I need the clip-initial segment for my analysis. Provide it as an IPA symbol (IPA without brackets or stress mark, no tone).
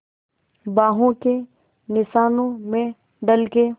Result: b